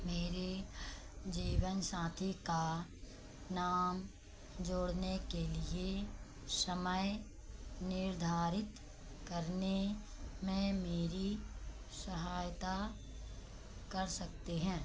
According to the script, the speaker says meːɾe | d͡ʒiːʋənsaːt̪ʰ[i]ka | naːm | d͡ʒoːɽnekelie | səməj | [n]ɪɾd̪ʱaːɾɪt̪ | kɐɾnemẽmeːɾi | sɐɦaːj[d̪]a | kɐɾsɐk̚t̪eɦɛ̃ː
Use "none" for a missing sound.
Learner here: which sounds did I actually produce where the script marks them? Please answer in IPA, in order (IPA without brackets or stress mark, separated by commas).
i, n, t̪